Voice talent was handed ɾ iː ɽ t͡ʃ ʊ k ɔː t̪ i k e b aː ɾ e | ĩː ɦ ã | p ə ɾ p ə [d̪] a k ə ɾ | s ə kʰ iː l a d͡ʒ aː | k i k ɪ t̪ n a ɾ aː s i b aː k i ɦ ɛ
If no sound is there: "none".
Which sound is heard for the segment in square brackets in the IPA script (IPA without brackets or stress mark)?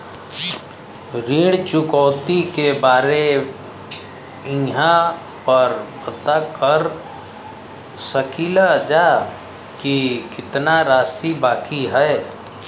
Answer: t̪